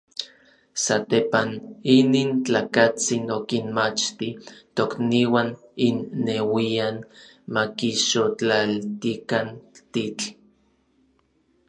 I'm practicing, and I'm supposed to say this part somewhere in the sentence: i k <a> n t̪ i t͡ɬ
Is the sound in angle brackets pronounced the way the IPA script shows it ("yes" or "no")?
yes